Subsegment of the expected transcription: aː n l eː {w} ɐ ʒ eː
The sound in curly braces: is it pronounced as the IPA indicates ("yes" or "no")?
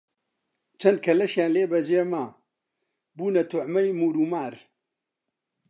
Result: no